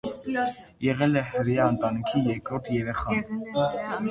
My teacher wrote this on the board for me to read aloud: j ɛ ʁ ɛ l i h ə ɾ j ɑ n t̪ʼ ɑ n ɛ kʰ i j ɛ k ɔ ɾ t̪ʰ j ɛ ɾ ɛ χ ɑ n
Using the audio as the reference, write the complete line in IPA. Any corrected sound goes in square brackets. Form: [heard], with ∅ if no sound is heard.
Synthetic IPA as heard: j ɛ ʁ ɛ l [ɛ] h ə ɾ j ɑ n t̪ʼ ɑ n [i] kʰ i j ɛ k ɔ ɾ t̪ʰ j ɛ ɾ ɛ χ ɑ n